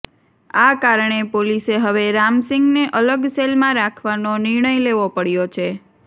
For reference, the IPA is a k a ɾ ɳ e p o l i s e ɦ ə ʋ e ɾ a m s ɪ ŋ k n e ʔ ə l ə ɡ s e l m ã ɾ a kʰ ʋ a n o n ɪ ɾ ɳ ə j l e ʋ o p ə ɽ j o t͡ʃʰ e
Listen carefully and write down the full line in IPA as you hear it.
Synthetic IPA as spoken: a k a ɾ ɳ e p o l i s e ɦ ə ʋ e ɾ a m s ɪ ŋ ɡ n e ʔ ə l ə ɡ s e l m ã ɾ a kʰ ʋ a n o n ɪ ɾ ɳ ə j l e ʋ o p ə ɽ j o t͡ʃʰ e